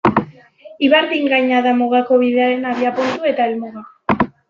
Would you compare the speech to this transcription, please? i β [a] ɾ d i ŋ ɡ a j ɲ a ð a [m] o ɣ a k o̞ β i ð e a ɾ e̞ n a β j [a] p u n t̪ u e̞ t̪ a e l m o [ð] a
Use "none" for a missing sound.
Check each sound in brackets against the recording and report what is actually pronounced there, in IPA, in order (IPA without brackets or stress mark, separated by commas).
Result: a, m, a, ɣ